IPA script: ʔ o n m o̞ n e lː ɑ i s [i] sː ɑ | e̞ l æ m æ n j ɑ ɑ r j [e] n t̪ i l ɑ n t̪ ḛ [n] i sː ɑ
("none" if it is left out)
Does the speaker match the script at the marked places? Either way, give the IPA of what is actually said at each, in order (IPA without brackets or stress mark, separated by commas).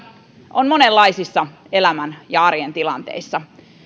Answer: i, e, none